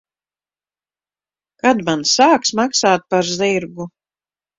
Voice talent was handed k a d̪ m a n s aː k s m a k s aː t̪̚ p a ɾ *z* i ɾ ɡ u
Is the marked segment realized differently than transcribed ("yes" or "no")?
no